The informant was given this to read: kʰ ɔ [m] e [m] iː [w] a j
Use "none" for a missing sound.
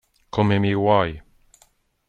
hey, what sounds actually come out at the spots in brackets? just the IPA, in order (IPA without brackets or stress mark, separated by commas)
m, m, w